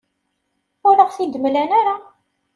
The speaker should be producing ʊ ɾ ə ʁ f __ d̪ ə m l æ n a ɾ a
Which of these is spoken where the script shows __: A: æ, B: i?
B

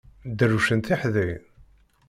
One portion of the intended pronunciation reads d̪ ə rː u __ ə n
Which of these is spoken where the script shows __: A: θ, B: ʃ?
B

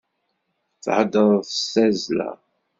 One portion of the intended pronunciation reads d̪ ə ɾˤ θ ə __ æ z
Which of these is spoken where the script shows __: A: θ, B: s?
B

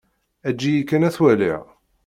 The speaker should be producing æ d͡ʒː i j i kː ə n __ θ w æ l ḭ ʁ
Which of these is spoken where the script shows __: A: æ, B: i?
A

